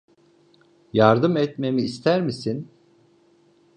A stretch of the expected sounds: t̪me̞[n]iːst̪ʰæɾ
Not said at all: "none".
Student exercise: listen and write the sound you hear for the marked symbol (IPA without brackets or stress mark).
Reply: m